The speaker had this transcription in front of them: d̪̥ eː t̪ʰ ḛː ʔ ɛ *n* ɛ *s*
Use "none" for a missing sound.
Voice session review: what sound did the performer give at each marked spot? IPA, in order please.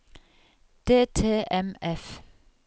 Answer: m, f

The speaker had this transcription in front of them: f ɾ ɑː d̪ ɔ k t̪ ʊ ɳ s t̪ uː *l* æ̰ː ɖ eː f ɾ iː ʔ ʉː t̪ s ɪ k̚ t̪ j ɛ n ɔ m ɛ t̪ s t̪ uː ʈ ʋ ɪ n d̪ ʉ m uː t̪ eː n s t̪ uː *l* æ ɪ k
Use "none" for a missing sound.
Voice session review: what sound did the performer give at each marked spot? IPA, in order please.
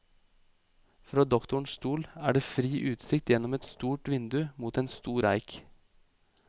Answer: l, ɾ

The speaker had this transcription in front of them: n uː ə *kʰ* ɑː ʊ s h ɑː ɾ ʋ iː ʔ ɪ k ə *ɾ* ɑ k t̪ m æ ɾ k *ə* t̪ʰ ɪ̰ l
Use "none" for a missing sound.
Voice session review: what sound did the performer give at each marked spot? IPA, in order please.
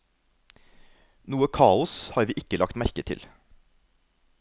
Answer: kʰ, l, ə

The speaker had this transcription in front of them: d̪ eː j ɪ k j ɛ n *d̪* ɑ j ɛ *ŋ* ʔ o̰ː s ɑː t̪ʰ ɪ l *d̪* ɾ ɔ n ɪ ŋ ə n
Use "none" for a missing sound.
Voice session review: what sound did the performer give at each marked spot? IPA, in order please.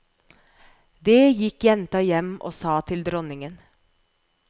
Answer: t̪, m, d̪

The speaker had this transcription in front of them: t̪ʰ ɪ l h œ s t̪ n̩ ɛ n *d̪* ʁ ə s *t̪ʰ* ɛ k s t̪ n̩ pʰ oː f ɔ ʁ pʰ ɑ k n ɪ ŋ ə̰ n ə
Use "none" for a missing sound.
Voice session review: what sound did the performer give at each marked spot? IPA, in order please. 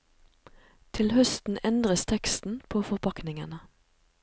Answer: d̪, t̪ʰ

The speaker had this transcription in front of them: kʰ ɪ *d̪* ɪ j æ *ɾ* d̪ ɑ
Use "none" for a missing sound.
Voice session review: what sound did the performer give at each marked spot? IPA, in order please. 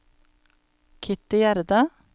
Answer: t̪, ɾ

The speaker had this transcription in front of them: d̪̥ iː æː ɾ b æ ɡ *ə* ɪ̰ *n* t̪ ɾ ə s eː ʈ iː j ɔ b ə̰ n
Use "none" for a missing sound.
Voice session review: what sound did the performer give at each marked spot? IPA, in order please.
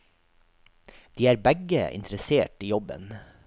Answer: ə, n

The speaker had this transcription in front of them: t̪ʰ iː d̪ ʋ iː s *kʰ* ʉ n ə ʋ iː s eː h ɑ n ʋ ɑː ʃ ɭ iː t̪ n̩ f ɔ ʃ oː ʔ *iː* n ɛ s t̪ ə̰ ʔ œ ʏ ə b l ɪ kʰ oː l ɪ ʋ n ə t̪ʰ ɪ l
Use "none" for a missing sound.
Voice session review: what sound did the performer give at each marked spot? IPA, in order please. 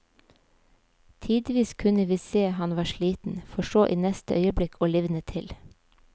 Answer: kʰ, iː

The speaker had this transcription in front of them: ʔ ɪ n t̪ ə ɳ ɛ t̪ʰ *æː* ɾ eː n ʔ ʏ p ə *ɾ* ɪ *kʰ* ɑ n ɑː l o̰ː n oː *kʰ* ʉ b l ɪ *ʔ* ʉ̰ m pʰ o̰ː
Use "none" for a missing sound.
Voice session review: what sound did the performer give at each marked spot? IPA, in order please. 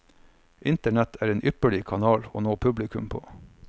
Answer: æː, ɭ, kʰ, pʰ, k

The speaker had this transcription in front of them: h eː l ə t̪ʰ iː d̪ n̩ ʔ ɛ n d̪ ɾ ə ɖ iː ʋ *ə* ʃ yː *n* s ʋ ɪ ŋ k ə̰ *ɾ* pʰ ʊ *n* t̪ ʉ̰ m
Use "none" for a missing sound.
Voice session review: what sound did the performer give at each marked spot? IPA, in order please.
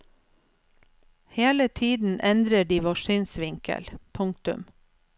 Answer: ɑ, n, l, ŋ

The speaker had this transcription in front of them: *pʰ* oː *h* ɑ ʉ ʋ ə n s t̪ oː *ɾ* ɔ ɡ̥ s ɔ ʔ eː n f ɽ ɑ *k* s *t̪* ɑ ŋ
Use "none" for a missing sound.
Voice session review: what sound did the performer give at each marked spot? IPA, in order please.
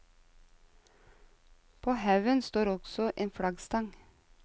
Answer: pʰ, h, ɾ, ɡ, t̪

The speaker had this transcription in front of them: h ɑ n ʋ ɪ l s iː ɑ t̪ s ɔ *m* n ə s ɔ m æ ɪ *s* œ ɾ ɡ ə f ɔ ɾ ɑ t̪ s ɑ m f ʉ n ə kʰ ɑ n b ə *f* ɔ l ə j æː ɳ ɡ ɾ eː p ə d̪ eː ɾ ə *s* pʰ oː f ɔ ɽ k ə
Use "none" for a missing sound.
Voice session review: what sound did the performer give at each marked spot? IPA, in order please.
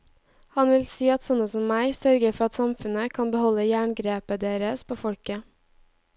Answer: none, s, h, s

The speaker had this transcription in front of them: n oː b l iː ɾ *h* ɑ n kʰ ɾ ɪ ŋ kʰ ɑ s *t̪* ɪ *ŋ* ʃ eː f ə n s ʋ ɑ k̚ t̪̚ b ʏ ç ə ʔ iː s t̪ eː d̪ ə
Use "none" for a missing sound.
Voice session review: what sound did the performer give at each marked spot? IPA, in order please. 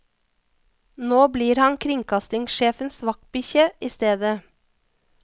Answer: h, t̪, ŋ

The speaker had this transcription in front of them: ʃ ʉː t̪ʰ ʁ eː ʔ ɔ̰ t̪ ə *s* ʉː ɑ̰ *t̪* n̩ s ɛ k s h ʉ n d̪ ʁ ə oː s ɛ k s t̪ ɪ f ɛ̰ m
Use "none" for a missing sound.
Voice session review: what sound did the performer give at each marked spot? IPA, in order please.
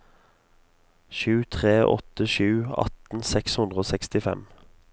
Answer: ʃ, t̪

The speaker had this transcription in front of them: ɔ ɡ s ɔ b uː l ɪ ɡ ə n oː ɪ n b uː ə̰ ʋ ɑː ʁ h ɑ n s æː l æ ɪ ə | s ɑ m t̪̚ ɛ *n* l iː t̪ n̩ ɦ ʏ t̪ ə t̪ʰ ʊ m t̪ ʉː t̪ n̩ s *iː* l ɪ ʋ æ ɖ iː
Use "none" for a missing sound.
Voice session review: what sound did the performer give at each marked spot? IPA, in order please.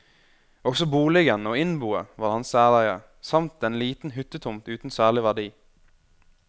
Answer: n, æː

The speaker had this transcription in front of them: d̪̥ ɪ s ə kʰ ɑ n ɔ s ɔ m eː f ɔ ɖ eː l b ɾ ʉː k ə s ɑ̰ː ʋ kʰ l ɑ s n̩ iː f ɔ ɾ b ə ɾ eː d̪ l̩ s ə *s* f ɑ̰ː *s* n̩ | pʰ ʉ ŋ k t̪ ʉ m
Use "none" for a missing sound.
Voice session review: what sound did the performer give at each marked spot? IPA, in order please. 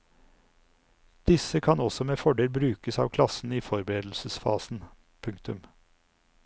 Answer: s, s

